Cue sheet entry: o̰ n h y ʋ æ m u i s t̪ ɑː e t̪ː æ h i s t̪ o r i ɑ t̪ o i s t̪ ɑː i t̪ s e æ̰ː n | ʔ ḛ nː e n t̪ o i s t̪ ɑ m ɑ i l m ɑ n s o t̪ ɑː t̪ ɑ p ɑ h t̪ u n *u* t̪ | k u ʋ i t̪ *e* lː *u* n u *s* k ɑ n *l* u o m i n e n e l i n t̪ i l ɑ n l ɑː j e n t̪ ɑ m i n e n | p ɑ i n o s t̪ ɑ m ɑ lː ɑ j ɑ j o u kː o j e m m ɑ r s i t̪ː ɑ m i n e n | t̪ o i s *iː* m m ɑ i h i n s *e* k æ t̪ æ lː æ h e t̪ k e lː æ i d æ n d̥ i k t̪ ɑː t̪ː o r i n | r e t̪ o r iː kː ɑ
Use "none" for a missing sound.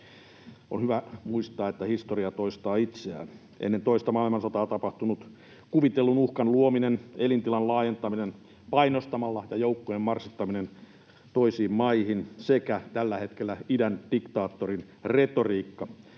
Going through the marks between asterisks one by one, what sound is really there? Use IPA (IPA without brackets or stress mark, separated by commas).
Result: u, e, u, h, l, iː, e